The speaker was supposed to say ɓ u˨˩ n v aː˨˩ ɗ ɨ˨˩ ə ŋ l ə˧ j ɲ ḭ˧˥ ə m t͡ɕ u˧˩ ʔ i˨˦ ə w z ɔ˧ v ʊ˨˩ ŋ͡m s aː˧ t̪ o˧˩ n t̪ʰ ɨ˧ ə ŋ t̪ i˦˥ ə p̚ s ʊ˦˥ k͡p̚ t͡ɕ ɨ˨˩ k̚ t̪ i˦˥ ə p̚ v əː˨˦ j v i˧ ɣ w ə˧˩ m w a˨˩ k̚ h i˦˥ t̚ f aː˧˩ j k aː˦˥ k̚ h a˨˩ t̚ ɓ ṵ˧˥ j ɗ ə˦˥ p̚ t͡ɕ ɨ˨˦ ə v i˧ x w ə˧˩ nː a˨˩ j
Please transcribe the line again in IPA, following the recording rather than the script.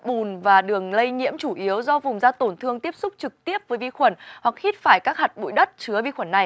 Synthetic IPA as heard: ɓ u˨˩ n v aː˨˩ ɗ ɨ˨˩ ə ŋ l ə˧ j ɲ ḭ˧˥ ə m t͡ɕ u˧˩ ʔ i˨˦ ə w z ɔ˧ v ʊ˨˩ ŋ͡m z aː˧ t̪ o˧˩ n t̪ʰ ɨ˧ ə ŋ t̪ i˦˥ ə p̚ s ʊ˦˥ k͡p̚ t͡ɕ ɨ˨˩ k̚ t̪ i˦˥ ə p̚ v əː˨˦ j v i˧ x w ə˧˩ n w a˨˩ k̚ h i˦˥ t̚ f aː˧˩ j k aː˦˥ k̚ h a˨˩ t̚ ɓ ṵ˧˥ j ɗ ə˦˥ t̚ t͡ɕ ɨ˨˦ ə v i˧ x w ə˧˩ nː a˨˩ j